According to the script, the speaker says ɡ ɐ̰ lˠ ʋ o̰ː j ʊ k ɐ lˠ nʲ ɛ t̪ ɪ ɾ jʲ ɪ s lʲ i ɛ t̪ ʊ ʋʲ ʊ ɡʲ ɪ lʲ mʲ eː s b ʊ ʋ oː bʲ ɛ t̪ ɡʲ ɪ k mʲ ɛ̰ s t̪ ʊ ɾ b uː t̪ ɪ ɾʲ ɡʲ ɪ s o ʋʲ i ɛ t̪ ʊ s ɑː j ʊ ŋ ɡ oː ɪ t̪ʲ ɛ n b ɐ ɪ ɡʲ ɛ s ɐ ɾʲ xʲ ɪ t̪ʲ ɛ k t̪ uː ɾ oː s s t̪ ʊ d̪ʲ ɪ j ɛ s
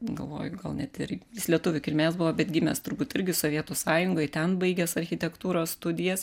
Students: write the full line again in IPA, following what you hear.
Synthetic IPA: ɡ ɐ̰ lˠ ʋ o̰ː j ʊ ɡ ɐ lˠ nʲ ɛ t̪ ɪ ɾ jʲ ɪ s lʲ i ɛ t̪ ʊ ʋʲ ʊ kʲ ɪ lʲ mʲ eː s b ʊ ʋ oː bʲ ɛ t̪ ɡʲ ɪ mʲ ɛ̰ s t̪ ʊ ɾ b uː t̪ ɪ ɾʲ ɡʲ ɪ s o ʋʲ i ɛ t̪ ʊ s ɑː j ʊ ŋ ɡ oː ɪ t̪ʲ ɛ n b ɐ ɪ ɡʲ ɛ s ɐ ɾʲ xʲ ɪ t̪ʲ ɛ k t̪ uː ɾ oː s s t̪ ʊ d̪ʲ ɪ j ɛ s